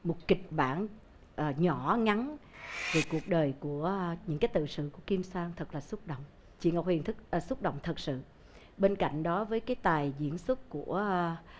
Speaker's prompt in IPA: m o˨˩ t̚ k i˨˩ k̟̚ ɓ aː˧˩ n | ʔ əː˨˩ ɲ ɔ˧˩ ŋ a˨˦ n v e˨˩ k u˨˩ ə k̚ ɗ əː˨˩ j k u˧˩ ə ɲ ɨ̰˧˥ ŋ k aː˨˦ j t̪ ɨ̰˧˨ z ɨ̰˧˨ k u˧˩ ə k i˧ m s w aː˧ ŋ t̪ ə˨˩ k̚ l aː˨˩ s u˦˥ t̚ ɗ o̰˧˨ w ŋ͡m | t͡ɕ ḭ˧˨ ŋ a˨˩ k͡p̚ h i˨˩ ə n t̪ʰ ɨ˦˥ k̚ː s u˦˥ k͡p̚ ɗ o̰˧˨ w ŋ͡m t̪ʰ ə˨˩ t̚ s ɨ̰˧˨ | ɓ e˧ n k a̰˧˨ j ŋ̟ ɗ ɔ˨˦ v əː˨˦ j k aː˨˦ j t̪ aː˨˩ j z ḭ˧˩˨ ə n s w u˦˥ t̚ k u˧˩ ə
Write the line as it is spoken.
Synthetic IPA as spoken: m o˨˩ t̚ k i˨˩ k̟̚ ɓ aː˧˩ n | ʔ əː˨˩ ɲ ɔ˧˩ ŋ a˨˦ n v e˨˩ k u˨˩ ə k̚ ɗ əː˨˩ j k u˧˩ ə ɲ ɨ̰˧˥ ŋ k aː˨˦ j t̪ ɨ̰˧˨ s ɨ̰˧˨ k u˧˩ ə k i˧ m s w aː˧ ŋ t̪ʰ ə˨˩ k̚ l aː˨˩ s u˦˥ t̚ ɗ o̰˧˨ w ŋ͡m | t͡ɕ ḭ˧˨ ŋ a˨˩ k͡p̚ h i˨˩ ə n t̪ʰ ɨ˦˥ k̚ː s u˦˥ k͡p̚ ɗ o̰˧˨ w ŋ͡m t̪ʰ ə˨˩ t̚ s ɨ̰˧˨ | ɓ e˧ n k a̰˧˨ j ŋ̟ ɗ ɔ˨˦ v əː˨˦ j k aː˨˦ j t̪ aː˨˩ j z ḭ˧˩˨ ə n s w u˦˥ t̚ k u˧˩ ə